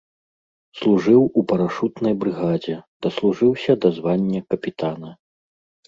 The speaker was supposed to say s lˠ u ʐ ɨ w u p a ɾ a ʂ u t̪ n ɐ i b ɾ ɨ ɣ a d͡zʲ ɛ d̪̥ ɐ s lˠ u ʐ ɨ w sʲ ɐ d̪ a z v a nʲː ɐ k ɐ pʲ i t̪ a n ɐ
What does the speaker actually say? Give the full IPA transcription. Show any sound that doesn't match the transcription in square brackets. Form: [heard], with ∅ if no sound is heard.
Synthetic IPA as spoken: s lˠ u ʐ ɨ w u p [ɐ] ɾ a ʂ u t̪ n ɐ [j] b ɾ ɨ ɣ a d͡zʲ ɛ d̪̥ ɐ s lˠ u ʐ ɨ w sʲ ɐ d̪ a z v a nʲː ɐ k ɐ pʲ i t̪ a n ɐ